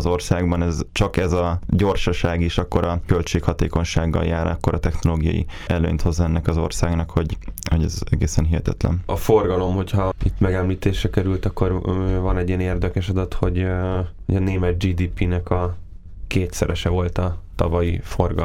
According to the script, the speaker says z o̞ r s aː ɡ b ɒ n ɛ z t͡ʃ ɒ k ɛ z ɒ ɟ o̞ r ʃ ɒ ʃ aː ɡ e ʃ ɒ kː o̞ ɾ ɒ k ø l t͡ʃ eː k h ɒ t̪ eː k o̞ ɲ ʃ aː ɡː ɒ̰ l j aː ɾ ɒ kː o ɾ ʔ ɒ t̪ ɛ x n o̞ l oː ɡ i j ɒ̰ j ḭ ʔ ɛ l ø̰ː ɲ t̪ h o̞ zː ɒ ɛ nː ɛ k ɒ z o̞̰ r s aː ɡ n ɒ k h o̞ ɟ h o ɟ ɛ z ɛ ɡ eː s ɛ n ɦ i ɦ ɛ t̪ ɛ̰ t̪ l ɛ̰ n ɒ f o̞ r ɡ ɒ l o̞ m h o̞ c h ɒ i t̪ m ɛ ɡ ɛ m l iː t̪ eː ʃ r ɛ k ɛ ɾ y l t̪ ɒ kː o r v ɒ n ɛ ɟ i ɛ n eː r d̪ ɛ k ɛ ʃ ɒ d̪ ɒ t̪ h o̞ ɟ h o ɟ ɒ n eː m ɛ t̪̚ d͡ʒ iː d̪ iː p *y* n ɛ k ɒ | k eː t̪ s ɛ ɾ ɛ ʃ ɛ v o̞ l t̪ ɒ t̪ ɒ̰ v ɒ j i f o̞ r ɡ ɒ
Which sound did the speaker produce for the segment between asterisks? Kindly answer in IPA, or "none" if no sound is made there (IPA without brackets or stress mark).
i